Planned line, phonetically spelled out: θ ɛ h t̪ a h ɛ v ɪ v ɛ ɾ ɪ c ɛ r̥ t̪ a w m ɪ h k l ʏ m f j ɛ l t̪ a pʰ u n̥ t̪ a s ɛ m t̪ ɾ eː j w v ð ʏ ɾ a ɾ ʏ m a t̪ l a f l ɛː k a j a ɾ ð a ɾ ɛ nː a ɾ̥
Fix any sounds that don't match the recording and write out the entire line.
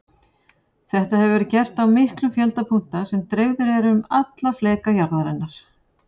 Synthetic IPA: θ ɛ h t̪ a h ɛ v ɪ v ɛ ɾ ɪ c ɛ r̥ t̪ a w m ɪ h k l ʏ m f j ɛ l t̪ a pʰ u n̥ t̪ a s ɛ m t̪ ɾ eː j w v ð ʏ ɾ ɛ ɾ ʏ m a t̪ l a f l ɛː k a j a ɾ ð a ɾ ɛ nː a ɾ̥